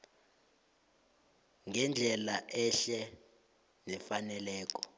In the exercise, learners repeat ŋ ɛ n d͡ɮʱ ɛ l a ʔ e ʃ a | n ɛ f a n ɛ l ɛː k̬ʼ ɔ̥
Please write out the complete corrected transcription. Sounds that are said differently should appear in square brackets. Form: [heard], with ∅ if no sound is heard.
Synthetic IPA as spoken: ŋ ɛ n d͡ɮʱ ɛ l a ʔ [ɛ] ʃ [ɛ] | n ɛ f a n ɛ l ɛː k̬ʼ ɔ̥

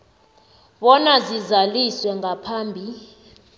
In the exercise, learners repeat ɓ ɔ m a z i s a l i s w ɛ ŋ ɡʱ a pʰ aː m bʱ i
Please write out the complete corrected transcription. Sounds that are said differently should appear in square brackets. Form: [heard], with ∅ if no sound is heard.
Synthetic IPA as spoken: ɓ ɔ [n] a z i [z] a l i s w ɛ ŋ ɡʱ a pʰ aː m bʱ i

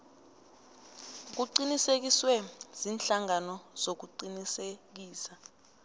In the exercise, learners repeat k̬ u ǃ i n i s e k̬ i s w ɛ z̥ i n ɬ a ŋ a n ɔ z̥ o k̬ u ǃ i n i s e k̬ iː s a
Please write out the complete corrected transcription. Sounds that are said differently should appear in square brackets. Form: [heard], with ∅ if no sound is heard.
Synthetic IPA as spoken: k̬ u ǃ i n i s e k̬ i s w ɛ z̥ i n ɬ a ŋ a n ɔ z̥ o k̬ u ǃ i n i s e k̬ iː s a

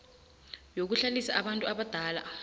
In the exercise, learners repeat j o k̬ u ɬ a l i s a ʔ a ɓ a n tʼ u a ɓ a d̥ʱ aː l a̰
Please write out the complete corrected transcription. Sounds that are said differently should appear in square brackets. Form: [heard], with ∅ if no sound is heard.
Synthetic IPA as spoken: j o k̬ u ɬ a l i s a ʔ a ɓ a n tʼ u a ɓ a d̥ʱ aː l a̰

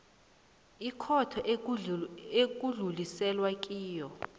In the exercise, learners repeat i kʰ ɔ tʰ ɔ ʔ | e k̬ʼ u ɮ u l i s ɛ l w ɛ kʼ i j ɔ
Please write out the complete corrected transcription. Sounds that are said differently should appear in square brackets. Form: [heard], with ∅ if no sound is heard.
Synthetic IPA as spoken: i kʰ ɔ tʰ ɔ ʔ | e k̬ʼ u ɮ u l i s ɛ l w [a] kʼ [iː] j ɔ

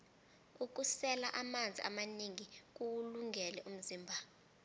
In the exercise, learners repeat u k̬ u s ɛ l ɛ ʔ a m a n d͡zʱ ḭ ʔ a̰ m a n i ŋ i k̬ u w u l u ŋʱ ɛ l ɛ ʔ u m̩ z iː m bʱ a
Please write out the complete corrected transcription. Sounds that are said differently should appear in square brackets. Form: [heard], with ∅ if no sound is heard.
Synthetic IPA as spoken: u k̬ u s ɛ l [a] ʔ a m a n d͡zʱ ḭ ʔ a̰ m a n i ŋ i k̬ u w u l u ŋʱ ɛ l ɛ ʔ u m̩ z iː m bʱ a

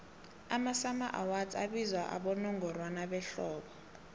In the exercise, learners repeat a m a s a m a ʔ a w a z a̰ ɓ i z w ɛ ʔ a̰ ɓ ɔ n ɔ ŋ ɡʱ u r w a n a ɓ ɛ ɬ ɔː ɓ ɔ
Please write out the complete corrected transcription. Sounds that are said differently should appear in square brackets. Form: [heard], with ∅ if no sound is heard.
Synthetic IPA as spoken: a m a s a m a ʔ a w a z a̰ ɓ i z w [a] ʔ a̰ ɓ ɔ n ɔ ŋ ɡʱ [ɔ] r w a n a ɓ ɛ ɬ ɔː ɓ ɔ

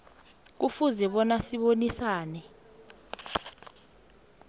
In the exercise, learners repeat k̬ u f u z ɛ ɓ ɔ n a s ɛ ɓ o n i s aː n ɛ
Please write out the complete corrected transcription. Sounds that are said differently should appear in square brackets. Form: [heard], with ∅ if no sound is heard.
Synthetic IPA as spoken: k̬ u f u z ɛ ɓ ɔ n a s [i] ɓ o n i s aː n ɛ

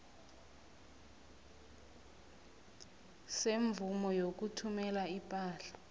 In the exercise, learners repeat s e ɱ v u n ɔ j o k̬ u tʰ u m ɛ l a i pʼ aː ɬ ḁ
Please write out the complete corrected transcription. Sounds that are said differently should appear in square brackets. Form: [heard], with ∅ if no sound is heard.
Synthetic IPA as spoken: s e ɱ v u [m] ɔ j o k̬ u tʰ u m ɛ l a i pʼ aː ɬ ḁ

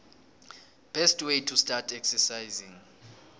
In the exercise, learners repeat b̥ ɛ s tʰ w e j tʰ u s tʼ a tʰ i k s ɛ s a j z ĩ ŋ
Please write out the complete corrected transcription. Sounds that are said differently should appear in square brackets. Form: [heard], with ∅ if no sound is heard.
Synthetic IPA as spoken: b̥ ɛ s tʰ w e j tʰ u s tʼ a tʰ [ɛ] k s ɛ s a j z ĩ ŋ

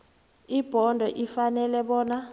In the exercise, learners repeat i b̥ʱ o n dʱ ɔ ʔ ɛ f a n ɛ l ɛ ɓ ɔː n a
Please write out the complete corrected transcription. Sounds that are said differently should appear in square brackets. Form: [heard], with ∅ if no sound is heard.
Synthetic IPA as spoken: i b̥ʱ [ɔ] n dʱ ɔ ʔ [i] f a n ɛ l ɛ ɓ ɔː n a

